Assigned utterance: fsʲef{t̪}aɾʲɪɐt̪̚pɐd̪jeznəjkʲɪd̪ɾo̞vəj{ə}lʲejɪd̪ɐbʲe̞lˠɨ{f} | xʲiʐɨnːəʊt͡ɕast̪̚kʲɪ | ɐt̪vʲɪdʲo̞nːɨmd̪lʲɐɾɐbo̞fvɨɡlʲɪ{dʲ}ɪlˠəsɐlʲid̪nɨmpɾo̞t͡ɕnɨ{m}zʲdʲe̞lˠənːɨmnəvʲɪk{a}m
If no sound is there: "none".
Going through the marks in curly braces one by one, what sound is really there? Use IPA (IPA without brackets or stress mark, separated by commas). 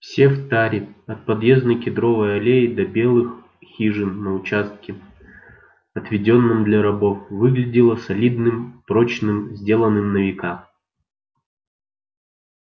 t̪, ɐ, x, dʲ, m, a